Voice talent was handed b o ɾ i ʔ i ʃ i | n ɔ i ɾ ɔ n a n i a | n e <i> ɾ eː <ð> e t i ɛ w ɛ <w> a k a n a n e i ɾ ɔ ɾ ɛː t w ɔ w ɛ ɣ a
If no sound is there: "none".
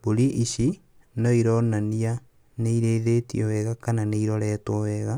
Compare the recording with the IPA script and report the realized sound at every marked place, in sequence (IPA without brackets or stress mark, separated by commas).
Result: i, ð, ɣ